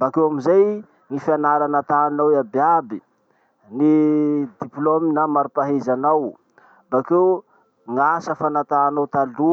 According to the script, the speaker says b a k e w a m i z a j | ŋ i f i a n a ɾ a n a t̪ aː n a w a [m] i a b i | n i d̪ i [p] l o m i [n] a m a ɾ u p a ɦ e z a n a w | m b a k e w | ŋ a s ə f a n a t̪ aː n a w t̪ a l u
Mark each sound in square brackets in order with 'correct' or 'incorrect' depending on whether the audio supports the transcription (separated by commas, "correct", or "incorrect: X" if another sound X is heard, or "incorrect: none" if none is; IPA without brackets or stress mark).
incorrect: b, correct, correct